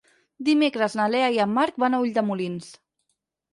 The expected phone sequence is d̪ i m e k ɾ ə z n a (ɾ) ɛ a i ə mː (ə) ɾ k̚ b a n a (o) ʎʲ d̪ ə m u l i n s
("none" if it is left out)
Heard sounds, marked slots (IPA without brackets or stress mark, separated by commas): l, a, u